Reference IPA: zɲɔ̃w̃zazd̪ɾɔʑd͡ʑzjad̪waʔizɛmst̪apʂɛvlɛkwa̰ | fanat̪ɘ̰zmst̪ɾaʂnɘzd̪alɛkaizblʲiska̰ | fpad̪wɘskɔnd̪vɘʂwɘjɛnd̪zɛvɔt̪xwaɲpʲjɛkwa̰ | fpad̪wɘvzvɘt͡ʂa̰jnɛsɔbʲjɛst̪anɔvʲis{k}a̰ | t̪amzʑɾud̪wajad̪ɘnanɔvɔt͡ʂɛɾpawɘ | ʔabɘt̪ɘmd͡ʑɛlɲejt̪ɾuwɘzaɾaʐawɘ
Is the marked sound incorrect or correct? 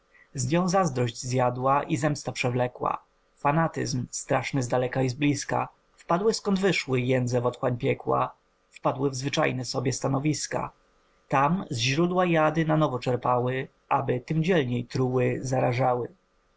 correct